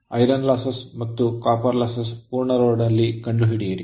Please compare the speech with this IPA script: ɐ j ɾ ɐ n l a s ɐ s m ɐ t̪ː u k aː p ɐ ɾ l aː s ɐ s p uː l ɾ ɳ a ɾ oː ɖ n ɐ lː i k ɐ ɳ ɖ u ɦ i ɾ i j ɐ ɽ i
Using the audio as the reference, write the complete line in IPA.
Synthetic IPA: ɐ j ɾ ɐ n l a s ɐ s m ɐ t̪ː u k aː p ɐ ɾ l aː s ɐ s p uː ɾ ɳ ɐ ɾ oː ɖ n ɐ lː i k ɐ ɳ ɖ u ɦ i ɽ i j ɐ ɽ i